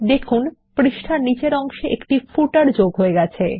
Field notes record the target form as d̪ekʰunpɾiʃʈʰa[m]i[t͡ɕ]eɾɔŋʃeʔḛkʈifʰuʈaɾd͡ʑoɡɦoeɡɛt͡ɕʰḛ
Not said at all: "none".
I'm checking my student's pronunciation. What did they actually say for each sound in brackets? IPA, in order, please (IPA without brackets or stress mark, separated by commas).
n, t͡ɕ